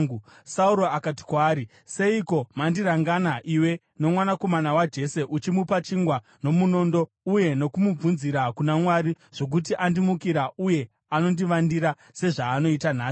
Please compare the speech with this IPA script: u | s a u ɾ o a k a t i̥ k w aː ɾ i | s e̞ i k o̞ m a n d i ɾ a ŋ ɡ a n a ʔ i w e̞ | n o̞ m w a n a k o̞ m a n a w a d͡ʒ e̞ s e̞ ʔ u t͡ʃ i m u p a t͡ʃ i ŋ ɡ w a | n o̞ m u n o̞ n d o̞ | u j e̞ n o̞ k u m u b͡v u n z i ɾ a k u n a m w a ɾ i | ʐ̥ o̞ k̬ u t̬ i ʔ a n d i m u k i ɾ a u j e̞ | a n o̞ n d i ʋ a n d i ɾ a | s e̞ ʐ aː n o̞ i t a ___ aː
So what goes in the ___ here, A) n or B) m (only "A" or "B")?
A